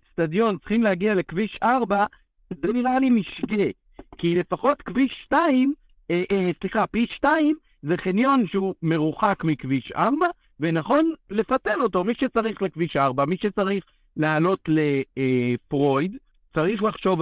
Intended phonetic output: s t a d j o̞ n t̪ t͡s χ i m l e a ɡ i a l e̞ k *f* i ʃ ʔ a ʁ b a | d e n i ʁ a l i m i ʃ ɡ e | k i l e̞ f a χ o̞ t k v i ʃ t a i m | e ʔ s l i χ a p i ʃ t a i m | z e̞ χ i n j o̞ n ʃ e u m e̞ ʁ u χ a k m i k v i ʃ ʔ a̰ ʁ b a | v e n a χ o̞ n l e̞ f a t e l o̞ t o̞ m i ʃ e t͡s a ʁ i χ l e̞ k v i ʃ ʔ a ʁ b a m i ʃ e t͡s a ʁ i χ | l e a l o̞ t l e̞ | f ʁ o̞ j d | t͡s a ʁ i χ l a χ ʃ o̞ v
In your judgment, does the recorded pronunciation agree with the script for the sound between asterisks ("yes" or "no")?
no